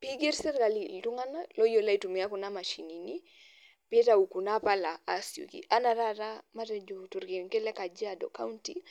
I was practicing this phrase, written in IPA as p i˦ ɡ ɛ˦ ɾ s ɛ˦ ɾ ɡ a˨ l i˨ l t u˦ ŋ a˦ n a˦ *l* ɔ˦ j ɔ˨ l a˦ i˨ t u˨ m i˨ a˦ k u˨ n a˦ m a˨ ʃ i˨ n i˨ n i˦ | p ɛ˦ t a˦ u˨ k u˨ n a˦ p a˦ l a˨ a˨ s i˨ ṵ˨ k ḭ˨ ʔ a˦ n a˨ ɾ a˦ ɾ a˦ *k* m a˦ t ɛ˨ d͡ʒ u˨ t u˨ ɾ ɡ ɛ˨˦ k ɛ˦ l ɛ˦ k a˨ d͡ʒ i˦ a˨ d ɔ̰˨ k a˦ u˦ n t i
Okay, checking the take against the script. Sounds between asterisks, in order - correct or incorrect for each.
correct, incorrect

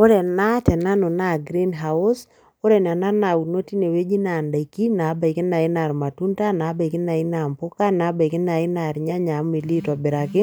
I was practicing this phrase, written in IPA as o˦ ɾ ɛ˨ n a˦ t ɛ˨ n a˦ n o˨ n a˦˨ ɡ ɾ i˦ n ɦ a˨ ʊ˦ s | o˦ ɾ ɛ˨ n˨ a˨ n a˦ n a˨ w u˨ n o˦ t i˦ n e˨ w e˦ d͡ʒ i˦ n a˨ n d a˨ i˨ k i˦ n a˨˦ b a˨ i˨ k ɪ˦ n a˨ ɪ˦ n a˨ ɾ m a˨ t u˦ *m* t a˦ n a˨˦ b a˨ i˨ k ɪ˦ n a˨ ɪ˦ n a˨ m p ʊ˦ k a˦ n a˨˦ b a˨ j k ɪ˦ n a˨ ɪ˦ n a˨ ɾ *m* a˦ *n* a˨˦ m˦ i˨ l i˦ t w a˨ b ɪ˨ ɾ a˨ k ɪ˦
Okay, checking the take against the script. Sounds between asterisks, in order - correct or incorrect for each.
incorrect, incorrect, incorrect

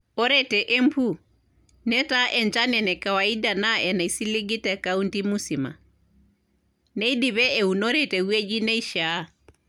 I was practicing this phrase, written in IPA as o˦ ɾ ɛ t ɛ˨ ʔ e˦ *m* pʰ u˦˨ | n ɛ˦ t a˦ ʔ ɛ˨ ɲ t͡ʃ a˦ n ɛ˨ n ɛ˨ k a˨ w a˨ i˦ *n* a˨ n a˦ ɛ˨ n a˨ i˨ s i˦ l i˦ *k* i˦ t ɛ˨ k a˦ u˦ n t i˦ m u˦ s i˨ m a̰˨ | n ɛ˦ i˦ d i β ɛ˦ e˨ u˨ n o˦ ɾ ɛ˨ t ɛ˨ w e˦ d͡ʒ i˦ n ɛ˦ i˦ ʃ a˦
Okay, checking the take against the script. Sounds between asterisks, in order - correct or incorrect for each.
correct, incorrect, incorrect

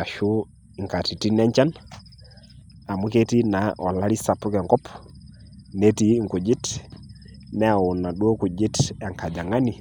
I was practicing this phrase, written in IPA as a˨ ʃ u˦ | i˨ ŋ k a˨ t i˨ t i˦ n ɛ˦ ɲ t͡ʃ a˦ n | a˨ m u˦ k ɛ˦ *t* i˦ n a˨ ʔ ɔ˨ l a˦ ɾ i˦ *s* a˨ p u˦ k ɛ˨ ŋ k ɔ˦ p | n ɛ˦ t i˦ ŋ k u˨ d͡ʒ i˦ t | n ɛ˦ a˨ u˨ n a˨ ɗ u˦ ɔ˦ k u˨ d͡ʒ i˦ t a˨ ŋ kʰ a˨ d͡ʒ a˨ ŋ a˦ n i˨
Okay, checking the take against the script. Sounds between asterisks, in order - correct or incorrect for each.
correct, correct

